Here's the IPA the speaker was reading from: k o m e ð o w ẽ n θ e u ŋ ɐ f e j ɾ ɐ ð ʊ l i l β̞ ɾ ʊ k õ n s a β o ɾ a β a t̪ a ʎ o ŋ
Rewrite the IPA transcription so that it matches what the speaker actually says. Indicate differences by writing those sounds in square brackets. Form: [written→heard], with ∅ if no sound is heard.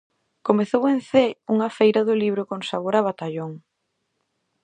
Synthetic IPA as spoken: k o m e [ð→θ] o w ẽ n θ e u ŋ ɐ f e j ɾ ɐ ð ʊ l i [l→∅] β̞ ɾ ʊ k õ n s a β o ɾ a β a t̪ a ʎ o ŋ

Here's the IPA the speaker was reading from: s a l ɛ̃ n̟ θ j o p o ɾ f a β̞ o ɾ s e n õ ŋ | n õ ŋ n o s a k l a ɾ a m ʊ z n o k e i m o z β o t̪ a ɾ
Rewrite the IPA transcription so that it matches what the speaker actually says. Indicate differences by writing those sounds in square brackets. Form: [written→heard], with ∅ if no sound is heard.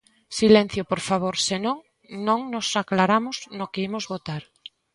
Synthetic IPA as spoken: s [a→i] l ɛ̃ n̟ θ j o p o ɾ f a β̞ o ɾ s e n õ ŋ | n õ ŋ n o s a k l a ɾ a m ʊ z n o k e i m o z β o t̪ a ɾ

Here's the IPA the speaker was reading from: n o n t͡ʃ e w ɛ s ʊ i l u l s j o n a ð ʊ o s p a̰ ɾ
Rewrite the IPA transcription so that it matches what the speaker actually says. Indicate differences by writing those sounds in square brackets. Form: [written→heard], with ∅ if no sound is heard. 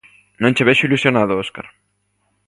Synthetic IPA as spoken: n [o→õ] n t͡ʃ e [w→β] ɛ [s→ʃ] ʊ i l u [l→∅] s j o n a ð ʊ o s [p→k] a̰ ɾ

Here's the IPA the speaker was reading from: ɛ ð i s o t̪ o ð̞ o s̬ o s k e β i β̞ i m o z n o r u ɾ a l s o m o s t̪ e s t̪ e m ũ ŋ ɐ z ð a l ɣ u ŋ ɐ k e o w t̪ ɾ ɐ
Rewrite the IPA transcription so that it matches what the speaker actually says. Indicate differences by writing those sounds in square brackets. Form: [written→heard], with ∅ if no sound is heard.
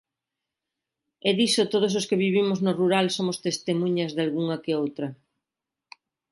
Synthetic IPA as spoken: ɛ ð i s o t̪ o ð̞ o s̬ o s k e β i β̞ i m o z n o r u ɾ a l s o m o s t̪ e s t̪ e m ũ [ŋ→ɲ] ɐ z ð a l ɣ u ŋ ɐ k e o w t̪ ɾ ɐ

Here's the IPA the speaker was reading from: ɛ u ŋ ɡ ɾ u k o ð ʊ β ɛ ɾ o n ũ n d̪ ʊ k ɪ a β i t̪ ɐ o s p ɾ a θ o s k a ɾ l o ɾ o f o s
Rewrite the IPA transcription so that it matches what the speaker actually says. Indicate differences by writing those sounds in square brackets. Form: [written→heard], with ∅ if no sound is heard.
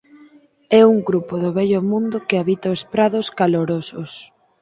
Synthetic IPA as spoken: ɛ u ŋ ɡ ɾ u [k→p] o ð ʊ β ɛ [ɾ→ʎ] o [n→m] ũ n d̪ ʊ k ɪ a β i t̪ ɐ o s p ɾ a [θ→ð] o s k a [ɾ→∅] l o ɾ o [f→s] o s

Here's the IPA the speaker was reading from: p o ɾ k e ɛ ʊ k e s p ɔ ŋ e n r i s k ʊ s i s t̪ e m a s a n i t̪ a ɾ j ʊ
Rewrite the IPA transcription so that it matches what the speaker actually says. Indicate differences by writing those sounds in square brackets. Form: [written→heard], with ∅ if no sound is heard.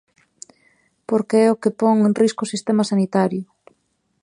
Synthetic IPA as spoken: p o ɾ k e ɛ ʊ k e [s→∅] p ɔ ŋ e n r i s k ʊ s i s t̪ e m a s a n i t̪ a ɾ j ʊ

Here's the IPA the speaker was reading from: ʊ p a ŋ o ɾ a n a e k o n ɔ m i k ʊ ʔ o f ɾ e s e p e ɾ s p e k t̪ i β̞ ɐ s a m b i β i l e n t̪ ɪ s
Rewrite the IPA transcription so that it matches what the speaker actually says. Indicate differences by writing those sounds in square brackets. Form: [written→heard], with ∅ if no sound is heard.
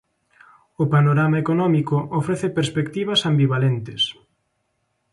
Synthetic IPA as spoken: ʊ p a [ŋ→n] o ɾ a [n→m] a e k o n ɔ m i k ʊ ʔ o f ɾ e [s→θ] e p e ɾ s p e k t̪ i β̞ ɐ s a m b i β [i→a] l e n t̪ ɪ s

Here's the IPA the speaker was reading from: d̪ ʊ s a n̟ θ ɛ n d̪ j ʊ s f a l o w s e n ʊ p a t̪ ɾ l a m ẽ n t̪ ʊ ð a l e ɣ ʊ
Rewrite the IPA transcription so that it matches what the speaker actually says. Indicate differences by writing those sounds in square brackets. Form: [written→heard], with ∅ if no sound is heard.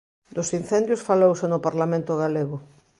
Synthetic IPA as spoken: d̪ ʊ s [a→i] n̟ θ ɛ n d̪ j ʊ s f a l o w s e n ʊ p a [t̪→∅] ɾ l a m ẽ n t̪ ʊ [ð→ɣ] a l e ɣ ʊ

